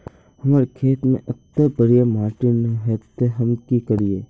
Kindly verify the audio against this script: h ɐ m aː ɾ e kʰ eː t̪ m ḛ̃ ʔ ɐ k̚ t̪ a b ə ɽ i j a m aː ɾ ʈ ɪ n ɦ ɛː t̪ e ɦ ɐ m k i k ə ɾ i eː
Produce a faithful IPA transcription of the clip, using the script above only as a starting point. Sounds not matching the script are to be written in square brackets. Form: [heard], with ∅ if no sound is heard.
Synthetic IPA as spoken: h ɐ m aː ɾ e kʰ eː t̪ m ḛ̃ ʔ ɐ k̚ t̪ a b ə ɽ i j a m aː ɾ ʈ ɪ n ɦ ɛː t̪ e ɦ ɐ m k i k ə ɾ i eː